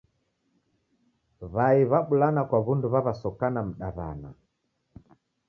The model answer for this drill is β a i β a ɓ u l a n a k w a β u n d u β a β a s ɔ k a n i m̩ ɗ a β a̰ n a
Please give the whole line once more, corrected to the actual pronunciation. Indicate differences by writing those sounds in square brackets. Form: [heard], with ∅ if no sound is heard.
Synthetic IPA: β a i β a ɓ u l a n a k w a β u n d u β a β a s ɔ k a n [a] m̩ ɗ a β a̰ n a